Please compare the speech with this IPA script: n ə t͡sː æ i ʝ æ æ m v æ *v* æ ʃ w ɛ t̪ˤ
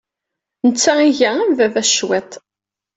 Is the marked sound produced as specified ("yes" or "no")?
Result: yes